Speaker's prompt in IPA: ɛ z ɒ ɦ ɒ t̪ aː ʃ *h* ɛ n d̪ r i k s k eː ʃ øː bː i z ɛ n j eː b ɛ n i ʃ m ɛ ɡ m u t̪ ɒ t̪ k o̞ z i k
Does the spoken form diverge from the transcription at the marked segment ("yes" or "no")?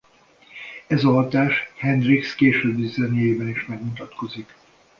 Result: no